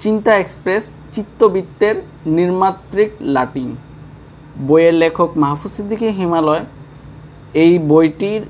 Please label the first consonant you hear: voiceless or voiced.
voiceless